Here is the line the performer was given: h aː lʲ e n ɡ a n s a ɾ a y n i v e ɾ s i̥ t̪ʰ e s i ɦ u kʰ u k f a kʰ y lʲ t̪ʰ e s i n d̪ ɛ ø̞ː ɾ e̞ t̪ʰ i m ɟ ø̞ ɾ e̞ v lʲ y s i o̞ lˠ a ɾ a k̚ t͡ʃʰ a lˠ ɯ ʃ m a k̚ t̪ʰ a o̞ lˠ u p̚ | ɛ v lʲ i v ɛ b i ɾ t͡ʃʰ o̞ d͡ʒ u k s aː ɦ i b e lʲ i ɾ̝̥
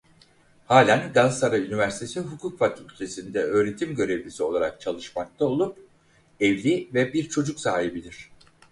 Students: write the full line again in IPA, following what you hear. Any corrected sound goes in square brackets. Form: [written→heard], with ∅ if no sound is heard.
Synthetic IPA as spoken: h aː lʲ [e→æ] n ɡ a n s a ɾ a y n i v [e→æ] ɾ s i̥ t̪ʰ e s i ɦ u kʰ u k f a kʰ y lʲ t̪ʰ e s i n d̪ ɛ ø̞ː ɾ e̞ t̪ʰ i m ɟ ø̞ ɾ e̞ v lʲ [y→i] s i o̞ lˠ a ɾ a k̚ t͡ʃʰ a lˠ ɯ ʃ m a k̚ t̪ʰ a o̞ lˠ u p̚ | ɛ v lʲ i v ɛ b i ɾ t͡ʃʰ o̞ d͡ʒ u k s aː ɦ i b [e→i] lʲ i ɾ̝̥